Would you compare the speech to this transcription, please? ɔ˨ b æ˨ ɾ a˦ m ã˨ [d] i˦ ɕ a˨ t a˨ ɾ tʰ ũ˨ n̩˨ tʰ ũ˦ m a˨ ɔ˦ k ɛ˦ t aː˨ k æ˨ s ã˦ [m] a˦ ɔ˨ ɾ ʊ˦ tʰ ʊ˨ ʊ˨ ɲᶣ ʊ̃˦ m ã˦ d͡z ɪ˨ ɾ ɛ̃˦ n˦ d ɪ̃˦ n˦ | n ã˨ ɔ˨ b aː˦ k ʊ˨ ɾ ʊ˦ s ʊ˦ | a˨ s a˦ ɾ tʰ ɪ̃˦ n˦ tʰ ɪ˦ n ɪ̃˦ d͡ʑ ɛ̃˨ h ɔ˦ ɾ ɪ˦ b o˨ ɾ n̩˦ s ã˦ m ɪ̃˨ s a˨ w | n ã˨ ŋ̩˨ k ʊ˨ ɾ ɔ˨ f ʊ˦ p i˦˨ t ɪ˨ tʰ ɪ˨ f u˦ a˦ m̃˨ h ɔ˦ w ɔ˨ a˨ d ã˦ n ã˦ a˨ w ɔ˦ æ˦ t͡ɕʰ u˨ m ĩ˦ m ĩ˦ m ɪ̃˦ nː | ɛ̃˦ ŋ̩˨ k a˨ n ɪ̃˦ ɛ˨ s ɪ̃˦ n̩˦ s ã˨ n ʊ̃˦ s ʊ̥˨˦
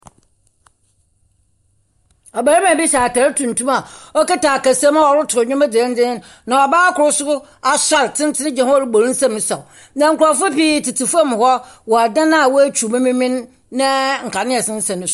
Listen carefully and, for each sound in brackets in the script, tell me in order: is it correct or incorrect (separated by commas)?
incorrect, correct